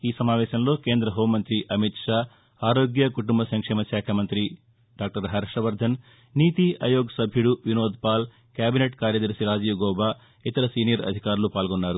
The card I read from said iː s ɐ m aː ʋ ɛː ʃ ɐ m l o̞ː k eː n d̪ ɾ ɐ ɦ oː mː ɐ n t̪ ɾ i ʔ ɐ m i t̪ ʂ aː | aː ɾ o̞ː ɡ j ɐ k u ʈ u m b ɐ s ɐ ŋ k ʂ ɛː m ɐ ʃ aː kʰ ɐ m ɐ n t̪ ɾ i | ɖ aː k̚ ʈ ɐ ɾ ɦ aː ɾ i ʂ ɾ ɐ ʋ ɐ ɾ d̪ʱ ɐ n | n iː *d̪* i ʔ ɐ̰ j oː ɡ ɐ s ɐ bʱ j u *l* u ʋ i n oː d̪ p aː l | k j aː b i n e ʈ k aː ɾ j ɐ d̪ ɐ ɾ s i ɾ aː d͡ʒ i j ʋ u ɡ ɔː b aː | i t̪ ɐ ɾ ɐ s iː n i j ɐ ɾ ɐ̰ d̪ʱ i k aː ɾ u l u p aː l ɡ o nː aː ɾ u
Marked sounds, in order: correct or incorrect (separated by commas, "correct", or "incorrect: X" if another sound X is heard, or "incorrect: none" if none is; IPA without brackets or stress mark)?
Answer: incorrect: t̪, incorrect: ɽ